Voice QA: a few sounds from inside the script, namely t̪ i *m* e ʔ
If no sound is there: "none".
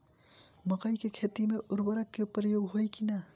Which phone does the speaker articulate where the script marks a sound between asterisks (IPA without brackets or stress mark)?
m